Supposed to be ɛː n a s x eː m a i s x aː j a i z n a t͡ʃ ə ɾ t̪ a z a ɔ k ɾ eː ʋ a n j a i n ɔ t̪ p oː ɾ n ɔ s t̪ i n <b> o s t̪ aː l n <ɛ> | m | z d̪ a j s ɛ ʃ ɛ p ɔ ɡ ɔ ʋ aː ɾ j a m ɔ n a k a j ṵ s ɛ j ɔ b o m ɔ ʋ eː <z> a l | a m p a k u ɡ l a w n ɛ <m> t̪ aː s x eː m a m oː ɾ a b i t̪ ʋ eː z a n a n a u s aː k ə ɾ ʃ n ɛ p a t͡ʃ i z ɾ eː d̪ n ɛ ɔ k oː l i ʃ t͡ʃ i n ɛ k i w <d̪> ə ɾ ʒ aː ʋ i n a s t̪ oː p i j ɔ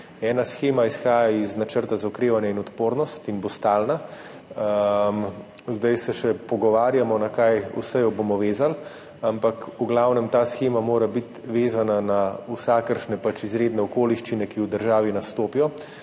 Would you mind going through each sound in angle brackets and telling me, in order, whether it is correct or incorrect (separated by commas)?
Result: correct, incorrect, correct, correct, correct